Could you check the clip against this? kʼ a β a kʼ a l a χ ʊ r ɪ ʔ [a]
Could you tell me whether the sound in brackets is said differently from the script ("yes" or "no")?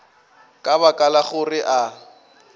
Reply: no